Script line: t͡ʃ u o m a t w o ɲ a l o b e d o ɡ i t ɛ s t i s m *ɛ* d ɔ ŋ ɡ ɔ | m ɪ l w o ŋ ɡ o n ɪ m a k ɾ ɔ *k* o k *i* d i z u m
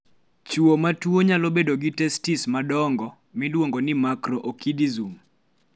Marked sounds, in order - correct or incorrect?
incorrect: a, incorrect: ʔ, correct

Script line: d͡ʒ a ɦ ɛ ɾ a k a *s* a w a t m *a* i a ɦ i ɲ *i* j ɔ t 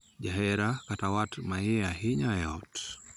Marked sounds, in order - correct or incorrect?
incorrect: t, correct, incorrect: a

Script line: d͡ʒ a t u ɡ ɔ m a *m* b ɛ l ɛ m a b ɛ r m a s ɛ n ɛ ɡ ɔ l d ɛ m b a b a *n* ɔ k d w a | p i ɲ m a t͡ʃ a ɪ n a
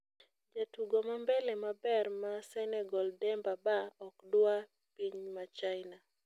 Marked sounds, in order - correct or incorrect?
correct, incorrect: none

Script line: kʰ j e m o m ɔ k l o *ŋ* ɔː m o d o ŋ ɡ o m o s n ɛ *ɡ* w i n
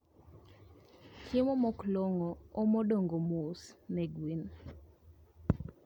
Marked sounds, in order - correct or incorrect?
correct, correct

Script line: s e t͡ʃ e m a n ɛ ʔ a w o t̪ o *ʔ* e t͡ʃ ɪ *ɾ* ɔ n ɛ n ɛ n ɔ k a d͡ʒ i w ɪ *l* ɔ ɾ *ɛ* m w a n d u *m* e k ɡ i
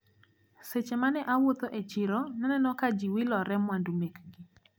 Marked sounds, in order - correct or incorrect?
correct, correct, correct, correct, correct

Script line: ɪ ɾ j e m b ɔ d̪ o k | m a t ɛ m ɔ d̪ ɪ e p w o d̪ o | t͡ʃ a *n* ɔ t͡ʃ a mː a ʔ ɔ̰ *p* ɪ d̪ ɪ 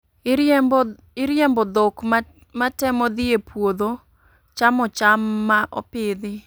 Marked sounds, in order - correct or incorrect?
incorrect: m, correct

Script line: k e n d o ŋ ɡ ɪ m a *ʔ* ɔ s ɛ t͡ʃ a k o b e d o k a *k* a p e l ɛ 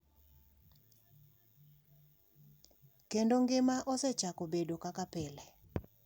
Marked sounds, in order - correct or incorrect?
correct, correct

